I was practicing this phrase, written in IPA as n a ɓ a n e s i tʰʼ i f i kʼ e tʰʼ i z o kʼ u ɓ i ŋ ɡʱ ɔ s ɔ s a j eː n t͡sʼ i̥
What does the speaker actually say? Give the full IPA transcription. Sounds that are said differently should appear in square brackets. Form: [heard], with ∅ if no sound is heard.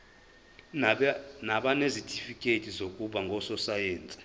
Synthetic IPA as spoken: n a ɓ a n e [z] i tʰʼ i f i kʼ e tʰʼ i z o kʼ u ɓ [a] ŋ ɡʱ ɔ s ɔ s a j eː n t͡sʼ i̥

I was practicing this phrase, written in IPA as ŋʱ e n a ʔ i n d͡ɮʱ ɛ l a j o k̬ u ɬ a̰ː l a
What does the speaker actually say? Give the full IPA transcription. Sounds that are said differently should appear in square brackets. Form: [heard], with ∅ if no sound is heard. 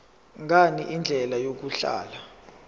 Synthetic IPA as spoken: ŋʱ [a] n [i] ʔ i n d͡ɮʱ ɛ l a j o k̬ u ɬ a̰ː l a

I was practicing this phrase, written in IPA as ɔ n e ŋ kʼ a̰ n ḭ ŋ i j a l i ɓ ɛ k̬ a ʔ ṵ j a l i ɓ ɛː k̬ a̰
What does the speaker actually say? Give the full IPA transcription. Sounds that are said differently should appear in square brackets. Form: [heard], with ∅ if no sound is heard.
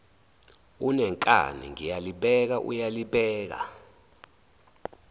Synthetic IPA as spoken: [u] n [ɛ] ŋ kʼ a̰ n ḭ ŋ i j a l i ɓ ɛ k̬ a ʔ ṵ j a l i ɓ ɛː k̬ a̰

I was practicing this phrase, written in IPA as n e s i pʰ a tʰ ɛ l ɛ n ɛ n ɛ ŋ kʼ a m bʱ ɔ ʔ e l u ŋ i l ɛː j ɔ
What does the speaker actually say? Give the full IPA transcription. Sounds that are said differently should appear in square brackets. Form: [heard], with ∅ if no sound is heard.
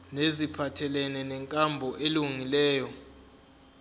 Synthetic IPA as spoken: n e [z] i pʰ a tʰ ɛ l ɛ n ɛ n ɛ ŋ kʼ a m bʱ ɔ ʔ e l u ŋ i l ɛː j ɔ

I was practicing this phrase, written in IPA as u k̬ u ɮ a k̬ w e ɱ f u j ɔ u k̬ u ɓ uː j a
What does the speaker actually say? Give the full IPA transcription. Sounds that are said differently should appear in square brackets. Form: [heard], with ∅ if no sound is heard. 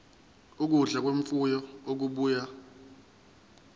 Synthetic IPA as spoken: u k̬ u ɮ a k̬ w e ɱ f u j ɔ [o] k̬ u ɓ uː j a

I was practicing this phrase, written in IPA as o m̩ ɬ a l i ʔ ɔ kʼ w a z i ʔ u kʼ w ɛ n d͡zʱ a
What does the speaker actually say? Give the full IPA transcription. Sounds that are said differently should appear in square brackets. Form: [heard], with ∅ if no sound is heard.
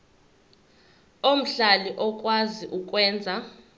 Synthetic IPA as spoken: o m̩ ɬ a l i ʔ ɔ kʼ w a z i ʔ u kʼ w [ɛː] n d͡zʱ a

